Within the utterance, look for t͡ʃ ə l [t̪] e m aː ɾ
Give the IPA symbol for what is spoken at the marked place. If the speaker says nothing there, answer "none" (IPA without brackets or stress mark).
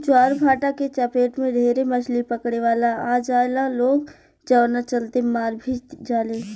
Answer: t̪